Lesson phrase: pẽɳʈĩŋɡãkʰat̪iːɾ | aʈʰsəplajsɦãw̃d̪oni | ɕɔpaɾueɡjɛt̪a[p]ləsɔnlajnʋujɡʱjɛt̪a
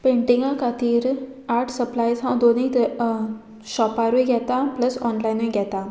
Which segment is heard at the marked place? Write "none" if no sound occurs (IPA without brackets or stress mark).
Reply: p